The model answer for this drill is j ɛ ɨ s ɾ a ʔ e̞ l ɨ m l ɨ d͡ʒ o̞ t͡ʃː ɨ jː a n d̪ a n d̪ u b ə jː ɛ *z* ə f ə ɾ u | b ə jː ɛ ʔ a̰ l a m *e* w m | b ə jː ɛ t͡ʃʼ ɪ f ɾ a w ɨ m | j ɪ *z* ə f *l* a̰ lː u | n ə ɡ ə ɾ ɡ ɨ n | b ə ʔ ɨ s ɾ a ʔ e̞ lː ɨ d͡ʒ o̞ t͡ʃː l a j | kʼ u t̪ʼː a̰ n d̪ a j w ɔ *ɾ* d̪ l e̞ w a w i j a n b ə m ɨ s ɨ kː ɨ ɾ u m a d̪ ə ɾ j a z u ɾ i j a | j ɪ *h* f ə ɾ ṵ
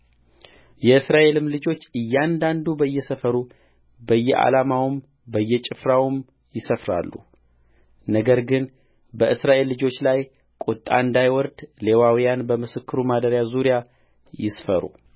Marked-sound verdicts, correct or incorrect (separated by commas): incorrect, incorrect, incorrect, incorrect, correct, incorrect